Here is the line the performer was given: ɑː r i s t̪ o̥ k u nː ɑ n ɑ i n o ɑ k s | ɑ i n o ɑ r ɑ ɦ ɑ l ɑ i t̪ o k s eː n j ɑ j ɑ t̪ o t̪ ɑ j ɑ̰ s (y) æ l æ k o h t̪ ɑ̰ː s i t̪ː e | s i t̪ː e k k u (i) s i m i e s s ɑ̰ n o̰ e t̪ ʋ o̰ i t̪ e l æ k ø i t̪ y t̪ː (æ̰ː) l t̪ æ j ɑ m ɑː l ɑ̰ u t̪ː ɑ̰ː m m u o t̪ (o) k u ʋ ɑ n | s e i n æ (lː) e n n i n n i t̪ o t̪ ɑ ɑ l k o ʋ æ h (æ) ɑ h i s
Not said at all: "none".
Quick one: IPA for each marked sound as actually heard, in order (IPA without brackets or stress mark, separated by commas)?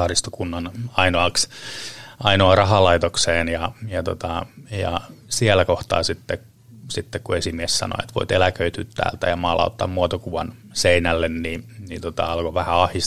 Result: i, e, æ̰ː, o, lː, æ